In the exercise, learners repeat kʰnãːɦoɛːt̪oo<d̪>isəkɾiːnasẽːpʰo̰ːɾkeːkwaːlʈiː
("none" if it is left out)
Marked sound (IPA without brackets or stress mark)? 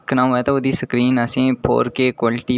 d̪